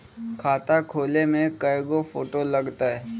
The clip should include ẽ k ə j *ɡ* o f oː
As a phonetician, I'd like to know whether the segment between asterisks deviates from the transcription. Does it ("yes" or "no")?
no